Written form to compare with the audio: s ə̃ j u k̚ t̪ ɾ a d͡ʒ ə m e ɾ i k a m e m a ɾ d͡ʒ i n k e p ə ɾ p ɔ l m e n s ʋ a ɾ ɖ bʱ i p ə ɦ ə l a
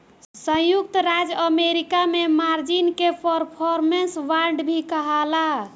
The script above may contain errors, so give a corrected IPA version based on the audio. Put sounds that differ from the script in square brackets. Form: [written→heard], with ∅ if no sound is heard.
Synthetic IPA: s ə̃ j u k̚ t̪ ɾ a d͡ʒ ə m e ɾ i k a m e m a ɾ d͡ʒ i n k e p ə ɾ [p→pʰ] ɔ [l→ɾ] m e n s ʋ a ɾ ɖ bʱ i [p→k] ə ɦ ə l a

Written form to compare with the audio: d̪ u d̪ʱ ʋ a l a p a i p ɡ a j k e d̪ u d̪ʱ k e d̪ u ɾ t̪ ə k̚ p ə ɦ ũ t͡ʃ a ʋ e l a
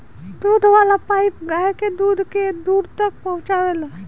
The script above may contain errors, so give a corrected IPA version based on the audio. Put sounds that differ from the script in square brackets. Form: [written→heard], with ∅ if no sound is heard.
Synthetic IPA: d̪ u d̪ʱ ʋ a l a p a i p ɡ a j k e d̪ u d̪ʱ k e d̪ u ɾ t̪ ə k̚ p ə ɦ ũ t͡ʃ a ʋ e l a

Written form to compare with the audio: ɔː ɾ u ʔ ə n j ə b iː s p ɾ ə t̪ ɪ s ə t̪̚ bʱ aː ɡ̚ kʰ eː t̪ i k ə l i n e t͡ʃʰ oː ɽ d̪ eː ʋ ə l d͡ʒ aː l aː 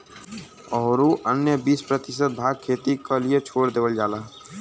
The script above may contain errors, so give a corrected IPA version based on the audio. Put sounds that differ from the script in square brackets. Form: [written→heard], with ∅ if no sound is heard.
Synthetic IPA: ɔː ɾ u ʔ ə n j ə b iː s p ɾ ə t̪ ɪ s ə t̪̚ bʱ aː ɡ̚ kʰ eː t̪ i k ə l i [n→∅] e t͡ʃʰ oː ɽ d̪ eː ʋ ə l d͡ʒ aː l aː

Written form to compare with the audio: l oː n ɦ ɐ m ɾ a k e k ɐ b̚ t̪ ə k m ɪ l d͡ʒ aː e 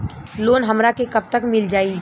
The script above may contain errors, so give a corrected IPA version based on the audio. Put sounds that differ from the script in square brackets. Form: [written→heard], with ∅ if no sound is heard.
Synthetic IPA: l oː n ɦ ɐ m ɾ a k e k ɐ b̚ t̪ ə k m ɪ l d͡ʒ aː [e→i]

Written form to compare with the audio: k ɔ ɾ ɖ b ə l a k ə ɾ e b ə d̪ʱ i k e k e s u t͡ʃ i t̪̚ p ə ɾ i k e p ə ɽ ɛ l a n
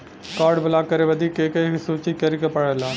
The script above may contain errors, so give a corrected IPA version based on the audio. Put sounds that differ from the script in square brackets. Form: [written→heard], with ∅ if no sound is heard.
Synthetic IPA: k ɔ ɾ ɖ b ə l a k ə ɾ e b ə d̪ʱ i k e k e s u t͡ʃ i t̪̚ [p→k] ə ɾ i k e p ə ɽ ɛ l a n

